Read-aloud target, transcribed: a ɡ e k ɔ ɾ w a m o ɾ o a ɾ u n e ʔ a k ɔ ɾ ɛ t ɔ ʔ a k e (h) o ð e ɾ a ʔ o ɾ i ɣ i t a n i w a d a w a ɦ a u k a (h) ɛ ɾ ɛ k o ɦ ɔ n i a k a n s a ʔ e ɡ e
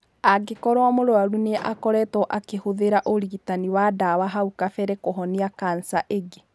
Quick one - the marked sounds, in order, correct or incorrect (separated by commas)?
correct, incorrect